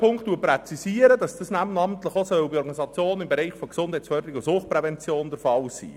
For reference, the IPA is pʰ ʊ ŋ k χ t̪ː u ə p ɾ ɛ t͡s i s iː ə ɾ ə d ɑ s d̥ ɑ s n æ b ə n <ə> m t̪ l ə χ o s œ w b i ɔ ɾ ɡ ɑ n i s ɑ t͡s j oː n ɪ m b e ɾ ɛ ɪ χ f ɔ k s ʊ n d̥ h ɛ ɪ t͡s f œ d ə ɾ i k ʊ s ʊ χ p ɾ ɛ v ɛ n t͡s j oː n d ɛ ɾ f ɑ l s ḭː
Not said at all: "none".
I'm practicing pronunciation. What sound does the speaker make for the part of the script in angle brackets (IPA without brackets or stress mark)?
ɑ